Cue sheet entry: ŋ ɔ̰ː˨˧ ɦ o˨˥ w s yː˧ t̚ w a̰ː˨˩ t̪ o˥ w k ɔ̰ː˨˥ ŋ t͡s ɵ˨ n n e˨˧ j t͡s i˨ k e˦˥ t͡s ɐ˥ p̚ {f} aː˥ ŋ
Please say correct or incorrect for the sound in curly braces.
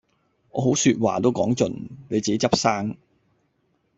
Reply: incorrect